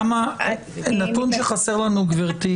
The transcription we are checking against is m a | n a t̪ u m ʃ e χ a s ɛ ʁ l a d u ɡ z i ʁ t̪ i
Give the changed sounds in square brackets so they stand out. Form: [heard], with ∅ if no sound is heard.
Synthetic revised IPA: m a | n a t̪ u [n] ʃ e χ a s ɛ ʁ l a [n] u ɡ [v] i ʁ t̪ i